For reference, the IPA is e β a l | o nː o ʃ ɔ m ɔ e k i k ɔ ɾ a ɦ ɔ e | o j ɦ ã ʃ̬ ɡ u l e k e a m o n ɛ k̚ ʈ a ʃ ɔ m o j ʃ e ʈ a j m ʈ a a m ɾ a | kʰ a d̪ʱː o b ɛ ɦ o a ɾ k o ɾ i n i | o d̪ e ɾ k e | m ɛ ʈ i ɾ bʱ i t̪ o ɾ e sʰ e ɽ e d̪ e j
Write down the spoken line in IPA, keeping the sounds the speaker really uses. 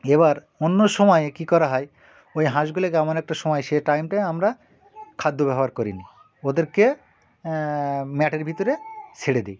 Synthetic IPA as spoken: e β a ɾ | o nː o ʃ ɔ m ɔ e k i k ɔ ɾ a ɦ ɔ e | o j ɦ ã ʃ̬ ɡ u l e k e a m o n ɛ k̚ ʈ a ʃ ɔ m ɔ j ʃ e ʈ a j m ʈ a a m ɾ a | kʰ a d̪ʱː o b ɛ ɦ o a ɾ k o ɾ i n i | o d̪ e ɾ k e | m ɛ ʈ e ɾ bʱ i t̪ o ɾ e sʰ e ɽ e d̪ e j